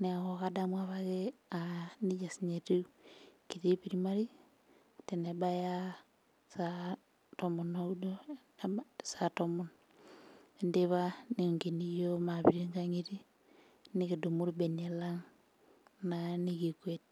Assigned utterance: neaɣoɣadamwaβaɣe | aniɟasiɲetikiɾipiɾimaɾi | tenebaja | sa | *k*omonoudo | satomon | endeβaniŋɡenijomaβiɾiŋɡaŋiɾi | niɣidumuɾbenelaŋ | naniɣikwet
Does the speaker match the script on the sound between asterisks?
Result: no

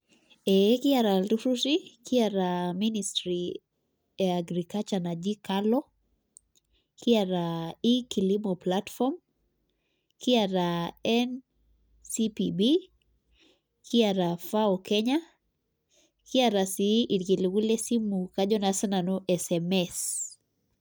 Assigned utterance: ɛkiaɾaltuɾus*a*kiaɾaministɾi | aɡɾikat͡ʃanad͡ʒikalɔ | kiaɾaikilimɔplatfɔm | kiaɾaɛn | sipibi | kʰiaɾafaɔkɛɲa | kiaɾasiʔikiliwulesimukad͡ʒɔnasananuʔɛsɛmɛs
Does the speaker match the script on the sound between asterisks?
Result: no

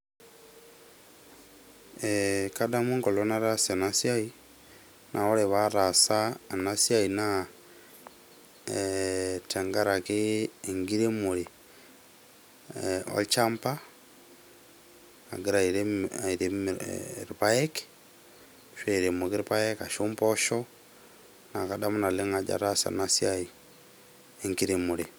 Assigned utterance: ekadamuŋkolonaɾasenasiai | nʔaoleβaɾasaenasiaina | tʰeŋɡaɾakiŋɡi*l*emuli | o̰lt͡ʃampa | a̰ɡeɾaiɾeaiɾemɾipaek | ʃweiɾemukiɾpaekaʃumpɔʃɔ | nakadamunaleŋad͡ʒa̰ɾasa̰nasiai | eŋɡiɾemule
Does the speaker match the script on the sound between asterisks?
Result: no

